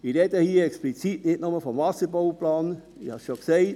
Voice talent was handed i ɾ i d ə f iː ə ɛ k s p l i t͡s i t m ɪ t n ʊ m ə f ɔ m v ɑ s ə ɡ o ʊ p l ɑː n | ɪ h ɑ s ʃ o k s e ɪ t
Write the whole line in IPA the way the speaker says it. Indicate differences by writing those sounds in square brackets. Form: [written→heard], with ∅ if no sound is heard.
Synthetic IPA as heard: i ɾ [i→ɛ] d ə [f→h] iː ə ɛ k s p l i t͡s i t [m→n] ɪ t n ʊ m ə f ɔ m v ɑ s ə [ɡ→b] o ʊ p l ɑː n | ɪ h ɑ s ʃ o k s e ɪ t